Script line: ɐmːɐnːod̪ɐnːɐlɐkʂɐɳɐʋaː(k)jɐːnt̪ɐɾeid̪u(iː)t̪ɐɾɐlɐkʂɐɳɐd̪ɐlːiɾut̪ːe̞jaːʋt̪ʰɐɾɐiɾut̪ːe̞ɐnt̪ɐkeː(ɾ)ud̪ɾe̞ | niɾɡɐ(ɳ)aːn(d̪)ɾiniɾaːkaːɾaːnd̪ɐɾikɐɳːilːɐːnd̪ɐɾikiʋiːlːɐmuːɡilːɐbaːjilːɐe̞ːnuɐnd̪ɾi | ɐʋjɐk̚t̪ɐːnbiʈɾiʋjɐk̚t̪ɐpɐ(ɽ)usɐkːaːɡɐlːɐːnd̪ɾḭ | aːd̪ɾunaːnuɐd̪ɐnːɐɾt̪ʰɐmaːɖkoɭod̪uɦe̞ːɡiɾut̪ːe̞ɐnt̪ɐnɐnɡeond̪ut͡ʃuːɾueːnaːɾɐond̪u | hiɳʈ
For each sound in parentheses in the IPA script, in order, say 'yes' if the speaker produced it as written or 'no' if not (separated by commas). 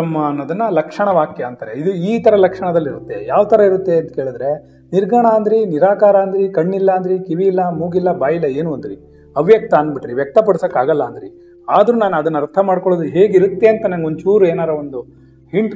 yes, yes, no, yes, yes, yes